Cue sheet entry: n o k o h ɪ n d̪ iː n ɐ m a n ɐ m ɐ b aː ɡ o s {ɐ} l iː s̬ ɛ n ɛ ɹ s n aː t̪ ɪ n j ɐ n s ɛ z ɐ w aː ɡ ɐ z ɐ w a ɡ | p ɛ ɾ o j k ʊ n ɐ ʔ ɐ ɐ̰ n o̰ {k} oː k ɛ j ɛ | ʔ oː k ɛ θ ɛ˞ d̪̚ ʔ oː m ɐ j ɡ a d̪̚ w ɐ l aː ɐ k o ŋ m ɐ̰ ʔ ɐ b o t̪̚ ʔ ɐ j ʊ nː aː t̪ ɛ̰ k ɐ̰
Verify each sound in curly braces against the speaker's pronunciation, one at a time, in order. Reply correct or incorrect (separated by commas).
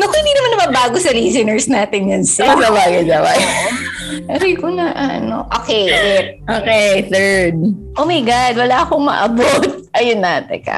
correct, incorrect